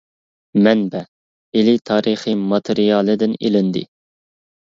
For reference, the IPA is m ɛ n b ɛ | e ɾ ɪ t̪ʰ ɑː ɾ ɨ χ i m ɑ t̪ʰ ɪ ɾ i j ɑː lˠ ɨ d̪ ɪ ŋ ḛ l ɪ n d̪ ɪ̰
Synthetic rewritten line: m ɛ n b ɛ | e l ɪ t̪ʰ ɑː ɾ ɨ χ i m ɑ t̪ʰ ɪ ɾ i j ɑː lˠ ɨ d̪ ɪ n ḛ l ɪ n d̪ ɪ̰